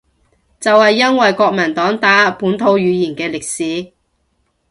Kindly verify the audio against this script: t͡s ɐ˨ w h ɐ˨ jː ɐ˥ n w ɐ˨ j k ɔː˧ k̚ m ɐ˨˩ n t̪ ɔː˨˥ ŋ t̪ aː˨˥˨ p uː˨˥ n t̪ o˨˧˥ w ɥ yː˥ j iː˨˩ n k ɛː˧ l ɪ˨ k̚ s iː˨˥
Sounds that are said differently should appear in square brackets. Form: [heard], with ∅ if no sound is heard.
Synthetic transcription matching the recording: t͡s ɐ˨ w h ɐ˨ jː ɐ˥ n w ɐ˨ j k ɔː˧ k̚ m ɐ˨˩ n t̪ ɔː˨˥ ŋ t̪ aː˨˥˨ p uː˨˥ n [t̪ʰ] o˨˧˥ w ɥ [yː˨˧] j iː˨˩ n k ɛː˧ l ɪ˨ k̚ s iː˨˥